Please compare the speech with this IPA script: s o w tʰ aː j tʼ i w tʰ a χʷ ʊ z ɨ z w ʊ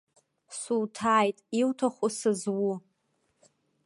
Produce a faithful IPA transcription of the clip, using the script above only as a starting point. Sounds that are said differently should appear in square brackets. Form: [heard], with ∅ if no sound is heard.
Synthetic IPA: s [u] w tʰ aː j tʼ i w tʰ a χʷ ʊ [s] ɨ z w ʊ